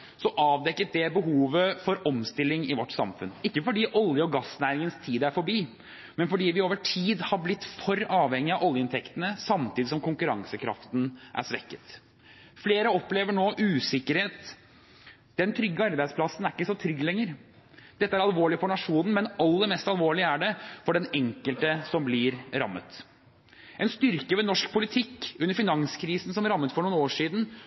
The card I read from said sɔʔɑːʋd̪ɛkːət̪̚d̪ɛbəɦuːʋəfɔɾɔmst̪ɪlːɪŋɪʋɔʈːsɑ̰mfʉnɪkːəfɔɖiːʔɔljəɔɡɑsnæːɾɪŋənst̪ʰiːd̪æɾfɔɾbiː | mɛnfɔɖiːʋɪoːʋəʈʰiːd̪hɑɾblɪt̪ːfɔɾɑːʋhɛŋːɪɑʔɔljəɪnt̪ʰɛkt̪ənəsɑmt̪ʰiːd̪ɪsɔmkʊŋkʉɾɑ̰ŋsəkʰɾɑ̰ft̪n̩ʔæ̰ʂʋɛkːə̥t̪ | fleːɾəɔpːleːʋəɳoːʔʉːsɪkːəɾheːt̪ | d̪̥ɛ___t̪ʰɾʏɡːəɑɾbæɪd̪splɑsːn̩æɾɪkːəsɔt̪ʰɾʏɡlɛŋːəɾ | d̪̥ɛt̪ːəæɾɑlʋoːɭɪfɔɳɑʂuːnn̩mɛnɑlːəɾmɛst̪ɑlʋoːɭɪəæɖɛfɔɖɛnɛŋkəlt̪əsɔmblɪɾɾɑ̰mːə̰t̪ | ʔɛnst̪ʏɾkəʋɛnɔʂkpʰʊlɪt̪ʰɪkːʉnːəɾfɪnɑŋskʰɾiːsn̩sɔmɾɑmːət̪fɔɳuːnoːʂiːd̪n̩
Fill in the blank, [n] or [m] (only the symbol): n